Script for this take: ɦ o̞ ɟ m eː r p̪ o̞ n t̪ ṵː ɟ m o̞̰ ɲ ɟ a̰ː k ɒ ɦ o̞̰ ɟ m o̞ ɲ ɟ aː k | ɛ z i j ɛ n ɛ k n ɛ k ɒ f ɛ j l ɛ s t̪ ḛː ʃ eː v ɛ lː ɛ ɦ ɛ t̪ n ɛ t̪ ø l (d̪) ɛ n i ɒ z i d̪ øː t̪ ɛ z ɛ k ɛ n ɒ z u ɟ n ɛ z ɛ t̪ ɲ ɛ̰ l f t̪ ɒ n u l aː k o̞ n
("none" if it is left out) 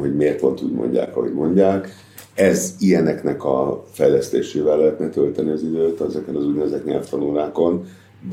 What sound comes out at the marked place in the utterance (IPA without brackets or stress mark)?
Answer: t̪